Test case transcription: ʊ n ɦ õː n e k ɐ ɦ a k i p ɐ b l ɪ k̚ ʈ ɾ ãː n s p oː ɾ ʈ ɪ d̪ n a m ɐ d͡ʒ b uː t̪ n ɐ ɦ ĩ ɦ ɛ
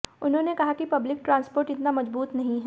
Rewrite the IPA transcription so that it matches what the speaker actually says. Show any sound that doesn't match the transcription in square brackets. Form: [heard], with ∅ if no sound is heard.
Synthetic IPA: ʊ n ɦ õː n e k ɐ ɦ a k i p ɐ b l ɪ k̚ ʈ ɾ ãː n s p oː ɾ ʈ ɪ [t̪] n a m ɐ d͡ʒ b uː t̪ n ɐ ɦ ĩ ɦ ɛ